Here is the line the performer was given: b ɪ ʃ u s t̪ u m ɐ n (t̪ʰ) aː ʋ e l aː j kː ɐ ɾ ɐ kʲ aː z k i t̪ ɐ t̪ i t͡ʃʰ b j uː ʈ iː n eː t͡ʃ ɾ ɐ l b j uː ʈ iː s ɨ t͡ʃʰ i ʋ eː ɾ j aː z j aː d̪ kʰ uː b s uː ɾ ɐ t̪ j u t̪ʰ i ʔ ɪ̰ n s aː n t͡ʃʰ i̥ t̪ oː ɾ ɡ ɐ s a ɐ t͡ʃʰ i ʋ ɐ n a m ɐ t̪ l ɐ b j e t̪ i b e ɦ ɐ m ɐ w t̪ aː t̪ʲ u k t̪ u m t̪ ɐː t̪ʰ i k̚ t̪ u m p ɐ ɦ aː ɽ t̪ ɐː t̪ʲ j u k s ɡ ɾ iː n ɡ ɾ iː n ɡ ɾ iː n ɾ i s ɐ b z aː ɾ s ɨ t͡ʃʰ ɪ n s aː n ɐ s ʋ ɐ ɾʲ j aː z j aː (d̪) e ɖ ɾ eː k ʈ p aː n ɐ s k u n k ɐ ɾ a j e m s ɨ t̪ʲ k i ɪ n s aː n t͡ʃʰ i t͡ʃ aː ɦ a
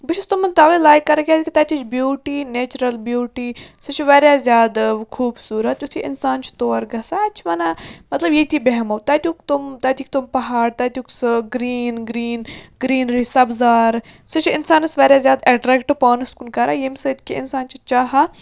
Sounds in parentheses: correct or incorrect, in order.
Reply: incorrect, correct

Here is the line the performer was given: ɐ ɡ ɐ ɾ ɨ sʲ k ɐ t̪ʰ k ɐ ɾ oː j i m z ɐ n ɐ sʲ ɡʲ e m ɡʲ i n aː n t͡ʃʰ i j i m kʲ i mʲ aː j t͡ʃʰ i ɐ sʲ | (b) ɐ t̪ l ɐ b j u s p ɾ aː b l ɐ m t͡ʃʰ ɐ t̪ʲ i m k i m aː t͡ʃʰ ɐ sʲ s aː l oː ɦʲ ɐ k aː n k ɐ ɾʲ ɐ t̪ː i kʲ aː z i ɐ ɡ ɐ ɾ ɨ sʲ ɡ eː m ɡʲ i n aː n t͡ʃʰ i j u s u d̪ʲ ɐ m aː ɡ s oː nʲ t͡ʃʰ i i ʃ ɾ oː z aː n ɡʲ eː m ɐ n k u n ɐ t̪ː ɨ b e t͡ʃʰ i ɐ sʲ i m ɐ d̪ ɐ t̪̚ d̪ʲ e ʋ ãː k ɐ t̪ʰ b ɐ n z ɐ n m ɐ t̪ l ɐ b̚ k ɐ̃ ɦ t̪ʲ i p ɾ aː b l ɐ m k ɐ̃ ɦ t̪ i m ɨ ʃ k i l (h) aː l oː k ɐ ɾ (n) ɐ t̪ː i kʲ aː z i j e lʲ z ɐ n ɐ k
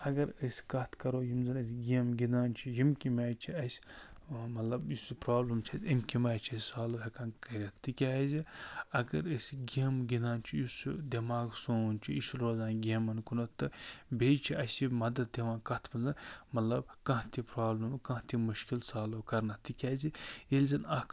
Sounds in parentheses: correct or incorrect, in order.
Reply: incorrect, incorrect, correct

